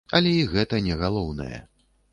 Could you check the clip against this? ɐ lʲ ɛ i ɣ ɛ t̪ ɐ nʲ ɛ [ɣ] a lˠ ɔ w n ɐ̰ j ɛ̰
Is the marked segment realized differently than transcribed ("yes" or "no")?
no